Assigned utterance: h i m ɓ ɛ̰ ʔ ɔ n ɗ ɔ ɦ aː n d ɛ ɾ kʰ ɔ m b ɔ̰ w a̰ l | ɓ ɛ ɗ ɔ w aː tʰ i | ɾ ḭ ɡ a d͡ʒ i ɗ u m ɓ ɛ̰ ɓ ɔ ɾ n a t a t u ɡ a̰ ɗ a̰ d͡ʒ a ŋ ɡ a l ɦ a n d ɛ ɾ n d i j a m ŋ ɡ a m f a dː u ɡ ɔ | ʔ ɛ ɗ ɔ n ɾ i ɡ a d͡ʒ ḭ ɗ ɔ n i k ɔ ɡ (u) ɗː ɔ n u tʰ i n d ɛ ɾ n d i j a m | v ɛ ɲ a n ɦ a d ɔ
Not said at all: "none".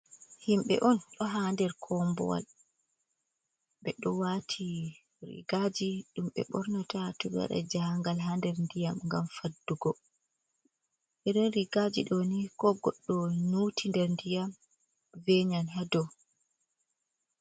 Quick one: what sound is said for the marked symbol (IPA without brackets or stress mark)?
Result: ɔ